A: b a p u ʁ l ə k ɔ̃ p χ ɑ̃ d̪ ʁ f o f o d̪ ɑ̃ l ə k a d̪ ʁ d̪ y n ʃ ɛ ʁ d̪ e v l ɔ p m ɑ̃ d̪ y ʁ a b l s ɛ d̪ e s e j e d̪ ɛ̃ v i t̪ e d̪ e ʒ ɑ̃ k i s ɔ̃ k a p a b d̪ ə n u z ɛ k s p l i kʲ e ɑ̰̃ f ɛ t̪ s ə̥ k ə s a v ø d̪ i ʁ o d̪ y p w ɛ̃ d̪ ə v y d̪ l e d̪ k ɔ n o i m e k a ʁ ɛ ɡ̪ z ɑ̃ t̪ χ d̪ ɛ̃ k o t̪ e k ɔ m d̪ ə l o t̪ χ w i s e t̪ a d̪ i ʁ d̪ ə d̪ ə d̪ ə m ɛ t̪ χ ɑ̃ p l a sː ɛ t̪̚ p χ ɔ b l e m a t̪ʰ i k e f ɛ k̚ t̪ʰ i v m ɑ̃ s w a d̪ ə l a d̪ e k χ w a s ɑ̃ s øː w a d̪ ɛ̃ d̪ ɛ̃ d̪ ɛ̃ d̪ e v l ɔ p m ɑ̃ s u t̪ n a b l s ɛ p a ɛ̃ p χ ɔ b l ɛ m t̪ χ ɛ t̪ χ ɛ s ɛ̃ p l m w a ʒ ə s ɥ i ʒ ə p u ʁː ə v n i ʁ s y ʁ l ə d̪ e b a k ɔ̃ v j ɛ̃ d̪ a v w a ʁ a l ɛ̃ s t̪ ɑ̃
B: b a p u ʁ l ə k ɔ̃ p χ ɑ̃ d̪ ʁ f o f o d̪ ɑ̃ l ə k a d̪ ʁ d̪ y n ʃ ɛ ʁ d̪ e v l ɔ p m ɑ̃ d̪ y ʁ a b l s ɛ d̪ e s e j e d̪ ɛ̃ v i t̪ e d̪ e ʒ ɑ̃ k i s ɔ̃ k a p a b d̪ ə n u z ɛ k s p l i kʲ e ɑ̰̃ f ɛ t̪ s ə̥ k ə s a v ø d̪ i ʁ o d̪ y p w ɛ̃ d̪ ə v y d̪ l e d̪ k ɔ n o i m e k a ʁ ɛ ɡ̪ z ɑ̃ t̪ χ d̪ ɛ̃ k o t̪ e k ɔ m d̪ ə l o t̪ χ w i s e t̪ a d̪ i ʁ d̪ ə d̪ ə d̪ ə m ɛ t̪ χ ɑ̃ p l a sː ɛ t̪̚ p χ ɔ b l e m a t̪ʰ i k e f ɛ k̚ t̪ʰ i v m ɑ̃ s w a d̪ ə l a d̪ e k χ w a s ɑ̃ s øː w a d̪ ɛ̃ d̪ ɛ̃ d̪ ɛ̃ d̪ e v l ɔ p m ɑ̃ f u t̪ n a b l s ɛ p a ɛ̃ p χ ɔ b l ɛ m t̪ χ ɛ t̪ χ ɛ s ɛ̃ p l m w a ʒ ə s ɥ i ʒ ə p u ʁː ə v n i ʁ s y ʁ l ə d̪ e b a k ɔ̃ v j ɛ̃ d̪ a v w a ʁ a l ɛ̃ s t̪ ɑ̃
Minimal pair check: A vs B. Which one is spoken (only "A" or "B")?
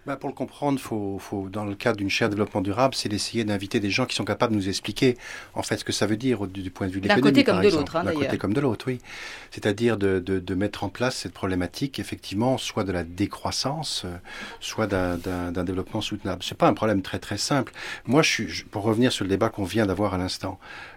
A